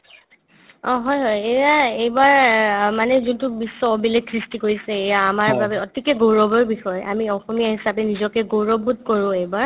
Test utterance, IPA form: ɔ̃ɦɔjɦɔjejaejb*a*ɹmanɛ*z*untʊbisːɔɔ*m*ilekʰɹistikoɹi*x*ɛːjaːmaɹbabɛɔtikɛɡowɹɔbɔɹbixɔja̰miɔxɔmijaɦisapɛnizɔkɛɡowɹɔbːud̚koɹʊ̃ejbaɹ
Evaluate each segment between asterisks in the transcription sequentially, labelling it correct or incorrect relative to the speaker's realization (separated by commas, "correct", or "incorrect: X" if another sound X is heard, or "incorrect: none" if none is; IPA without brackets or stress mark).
correct, correct, incorrect: b, incorrect: s